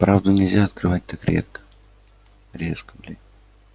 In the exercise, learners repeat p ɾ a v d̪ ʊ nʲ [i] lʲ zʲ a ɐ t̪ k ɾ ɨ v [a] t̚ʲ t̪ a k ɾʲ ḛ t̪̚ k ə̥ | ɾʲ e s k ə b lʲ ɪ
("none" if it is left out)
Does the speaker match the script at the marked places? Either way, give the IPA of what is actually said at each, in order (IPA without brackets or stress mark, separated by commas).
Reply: ɪ, a